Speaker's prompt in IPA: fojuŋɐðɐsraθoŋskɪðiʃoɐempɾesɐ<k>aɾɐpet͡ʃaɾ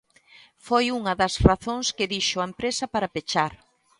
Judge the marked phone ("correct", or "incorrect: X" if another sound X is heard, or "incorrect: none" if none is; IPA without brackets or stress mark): incorrect: p